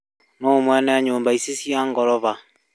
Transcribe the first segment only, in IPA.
n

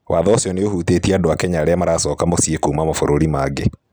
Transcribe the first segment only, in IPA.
w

